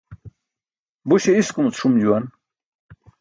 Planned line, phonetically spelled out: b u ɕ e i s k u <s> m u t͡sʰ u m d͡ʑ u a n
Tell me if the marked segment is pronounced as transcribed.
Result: no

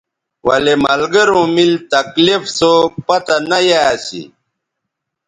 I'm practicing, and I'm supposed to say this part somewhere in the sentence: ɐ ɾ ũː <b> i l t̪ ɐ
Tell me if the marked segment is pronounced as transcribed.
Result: no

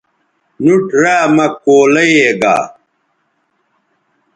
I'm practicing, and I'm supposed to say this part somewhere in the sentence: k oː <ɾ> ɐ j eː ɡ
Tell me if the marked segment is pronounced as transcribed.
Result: no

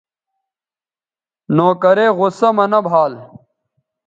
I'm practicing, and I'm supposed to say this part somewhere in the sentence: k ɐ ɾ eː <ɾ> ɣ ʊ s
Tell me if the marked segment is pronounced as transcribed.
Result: no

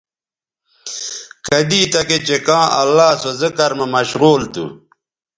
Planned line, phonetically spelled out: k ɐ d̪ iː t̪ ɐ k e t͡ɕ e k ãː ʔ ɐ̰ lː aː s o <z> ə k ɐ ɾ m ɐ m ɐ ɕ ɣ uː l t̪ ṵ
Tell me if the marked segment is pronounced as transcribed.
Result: yes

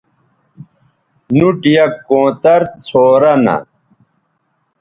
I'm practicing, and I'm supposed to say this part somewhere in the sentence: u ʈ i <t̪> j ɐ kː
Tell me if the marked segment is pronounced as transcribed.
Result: no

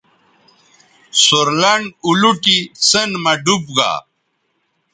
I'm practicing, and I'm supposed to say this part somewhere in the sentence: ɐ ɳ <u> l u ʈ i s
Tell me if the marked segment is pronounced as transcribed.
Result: yes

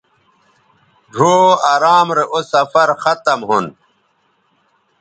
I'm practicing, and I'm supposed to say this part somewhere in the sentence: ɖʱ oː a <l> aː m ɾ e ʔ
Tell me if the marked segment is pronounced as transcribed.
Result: no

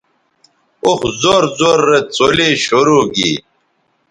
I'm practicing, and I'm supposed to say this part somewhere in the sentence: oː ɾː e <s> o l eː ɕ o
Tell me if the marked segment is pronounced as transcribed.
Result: no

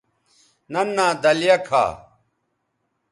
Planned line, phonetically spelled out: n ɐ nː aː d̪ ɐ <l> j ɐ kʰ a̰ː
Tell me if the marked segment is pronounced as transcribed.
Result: yes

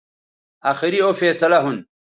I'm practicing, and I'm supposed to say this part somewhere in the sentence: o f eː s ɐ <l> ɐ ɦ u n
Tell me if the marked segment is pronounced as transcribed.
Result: yes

